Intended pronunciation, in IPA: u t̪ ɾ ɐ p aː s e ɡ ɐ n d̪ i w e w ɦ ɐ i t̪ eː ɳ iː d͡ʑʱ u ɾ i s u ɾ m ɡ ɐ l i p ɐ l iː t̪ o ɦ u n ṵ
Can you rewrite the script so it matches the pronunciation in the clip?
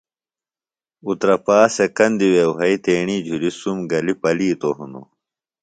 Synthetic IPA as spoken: u t̪ ɾ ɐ p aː s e k ɐ n d̪ i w e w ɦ ɐ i t̪ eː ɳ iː d͡ʑʱ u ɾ i s u m ɡ ɐ l i p ɐ l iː t̪ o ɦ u n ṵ